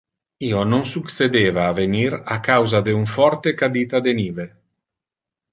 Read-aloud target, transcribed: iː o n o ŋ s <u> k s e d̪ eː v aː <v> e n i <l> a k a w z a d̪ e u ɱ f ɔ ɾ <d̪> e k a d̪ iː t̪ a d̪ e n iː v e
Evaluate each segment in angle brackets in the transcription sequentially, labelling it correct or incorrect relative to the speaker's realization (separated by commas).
correct, correct, incorrect, incorrect